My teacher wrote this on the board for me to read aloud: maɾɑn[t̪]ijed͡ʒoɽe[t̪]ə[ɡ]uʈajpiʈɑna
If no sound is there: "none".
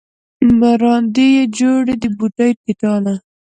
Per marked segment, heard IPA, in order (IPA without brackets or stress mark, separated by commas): d̪, d̪, b